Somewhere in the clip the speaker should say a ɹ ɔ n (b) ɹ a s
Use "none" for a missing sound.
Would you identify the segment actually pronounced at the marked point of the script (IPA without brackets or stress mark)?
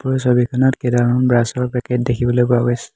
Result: b